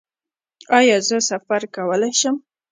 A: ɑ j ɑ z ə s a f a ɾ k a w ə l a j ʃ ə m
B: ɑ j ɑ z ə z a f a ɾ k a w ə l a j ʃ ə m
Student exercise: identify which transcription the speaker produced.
A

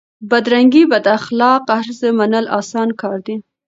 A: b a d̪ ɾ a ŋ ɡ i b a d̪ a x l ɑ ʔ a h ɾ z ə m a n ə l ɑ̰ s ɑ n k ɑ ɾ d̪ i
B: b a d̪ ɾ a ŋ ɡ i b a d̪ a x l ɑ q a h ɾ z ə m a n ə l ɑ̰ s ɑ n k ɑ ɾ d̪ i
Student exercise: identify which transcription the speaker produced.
B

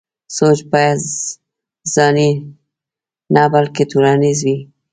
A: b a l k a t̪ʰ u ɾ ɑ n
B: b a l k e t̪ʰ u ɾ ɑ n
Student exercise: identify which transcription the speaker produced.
B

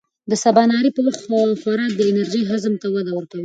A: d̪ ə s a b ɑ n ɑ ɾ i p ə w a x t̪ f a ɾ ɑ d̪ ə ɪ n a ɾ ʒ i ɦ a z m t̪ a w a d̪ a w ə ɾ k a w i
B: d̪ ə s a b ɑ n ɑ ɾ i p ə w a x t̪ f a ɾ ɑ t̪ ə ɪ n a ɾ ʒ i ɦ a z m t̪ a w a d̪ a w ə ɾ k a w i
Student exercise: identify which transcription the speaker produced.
A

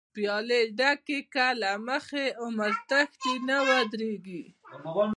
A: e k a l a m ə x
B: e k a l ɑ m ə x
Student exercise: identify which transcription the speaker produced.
A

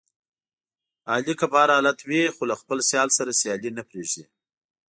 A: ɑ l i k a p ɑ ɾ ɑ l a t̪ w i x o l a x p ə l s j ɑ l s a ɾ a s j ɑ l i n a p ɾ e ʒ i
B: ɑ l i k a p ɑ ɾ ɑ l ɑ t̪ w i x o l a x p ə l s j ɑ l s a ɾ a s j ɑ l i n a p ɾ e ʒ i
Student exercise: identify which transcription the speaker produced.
A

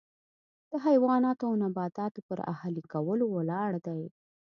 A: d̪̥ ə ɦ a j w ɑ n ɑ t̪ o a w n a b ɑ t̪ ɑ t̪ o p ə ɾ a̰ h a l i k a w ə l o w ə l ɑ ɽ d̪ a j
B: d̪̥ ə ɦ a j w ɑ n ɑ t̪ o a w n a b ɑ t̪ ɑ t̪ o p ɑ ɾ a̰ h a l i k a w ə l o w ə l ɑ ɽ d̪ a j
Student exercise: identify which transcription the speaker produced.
A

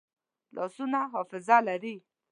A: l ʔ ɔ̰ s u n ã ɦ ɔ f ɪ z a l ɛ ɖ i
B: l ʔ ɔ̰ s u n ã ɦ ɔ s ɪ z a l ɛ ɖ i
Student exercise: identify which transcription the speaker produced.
A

